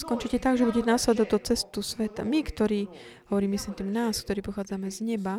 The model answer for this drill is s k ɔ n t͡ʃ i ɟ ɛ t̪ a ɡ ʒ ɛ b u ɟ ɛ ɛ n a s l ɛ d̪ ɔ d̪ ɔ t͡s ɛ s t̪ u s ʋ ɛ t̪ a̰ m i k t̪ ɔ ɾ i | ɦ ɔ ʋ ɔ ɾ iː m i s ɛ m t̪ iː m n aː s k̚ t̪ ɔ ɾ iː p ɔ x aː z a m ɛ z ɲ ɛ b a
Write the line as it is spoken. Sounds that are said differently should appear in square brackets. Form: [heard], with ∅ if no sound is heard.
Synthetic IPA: s k ɔ n t͡ʃ i [c] ɛ t̪ a ɡ ʒ ɛ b u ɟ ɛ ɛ n a s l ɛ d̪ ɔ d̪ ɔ t͡s ɛ s t̪ u s ʋ ɛ t̪ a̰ m i k t̪ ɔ ɾ [iː] | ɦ ɔ ʋ ɔ ɾ iː m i s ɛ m t̪ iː m n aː s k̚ t̪ ɔ ɾ iː p ɔ x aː [d͡z] a m ɛ z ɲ ɛ b a